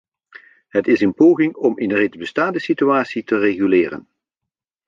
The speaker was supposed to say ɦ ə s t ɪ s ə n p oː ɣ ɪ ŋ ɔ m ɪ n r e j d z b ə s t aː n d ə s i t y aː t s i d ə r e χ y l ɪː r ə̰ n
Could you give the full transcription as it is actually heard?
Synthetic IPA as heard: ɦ ə t ɪ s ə n p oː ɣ ɪ ŋ ɔ m ɪ n r e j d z b ə s t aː n d ə s i t y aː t s i t ə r e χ y l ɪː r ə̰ n